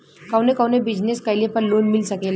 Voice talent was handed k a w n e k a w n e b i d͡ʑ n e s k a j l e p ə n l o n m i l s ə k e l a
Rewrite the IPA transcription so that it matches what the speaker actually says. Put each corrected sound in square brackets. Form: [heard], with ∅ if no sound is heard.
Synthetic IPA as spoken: k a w n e k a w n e b i d͡ʑ n e s k a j l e p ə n l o n m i l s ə k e l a